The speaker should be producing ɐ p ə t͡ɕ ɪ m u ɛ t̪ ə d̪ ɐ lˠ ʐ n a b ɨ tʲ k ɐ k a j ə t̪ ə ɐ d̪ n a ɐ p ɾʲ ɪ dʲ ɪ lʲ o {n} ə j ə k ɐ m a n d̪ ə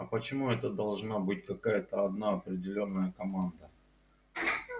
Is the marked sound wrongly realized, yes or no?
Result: yes